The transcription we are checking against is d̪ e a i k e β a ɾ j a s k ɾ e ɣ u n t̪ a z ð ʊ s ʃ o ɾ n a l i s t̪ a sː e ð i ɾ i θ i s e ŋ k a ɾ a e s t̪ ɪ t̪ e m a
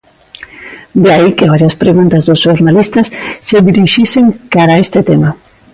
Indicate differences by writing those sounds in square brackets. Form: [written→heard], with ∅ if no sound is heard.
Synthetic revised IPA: d̪ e a i k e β a ɾ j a s [k→p] ɾ e ɣ u n t̪ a z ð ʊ s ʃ o ɾ n a l i s t̪ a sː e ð i ɾ i [θ→ʃ] i s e ŋ k a ɾ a e s t̪ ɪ t̪ e m a